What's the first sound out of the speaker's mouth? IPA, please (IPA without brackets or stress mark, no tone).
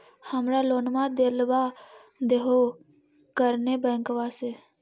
h